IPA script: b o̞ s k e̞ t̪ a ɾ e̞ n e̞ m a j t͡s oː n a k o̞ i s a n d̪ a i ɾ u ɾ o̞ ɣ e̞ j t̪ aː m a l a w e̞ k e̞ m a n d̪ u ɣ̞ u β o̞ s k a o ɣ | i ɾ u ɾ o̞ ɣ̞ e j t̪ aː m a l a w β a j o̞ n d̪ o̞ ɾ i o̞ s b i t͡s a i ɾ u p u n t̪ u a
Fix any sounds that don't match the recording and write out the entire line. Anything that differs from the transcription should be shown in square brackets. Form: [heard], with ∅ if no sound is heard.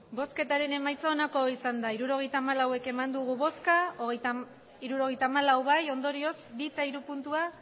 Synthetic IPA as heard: b o̞ s k e̞ t̪ a ɾ e̞ n e̞ m a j t͡s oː n a k o̞ i s a n d̪ a i ɾ u ɾ o̞ ɣ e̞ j t̪ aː m a l a w e̞ k e̞ m a n d̪ u ɣ̞ u β o̞ s k a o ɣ | i ɾ u ɾ o̞ ɣ̞ e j t̪ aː m a l a w β a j o̞ n d̪ o̞ ɾ i o̞ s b i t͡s a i ɾ u p u n t̪ u a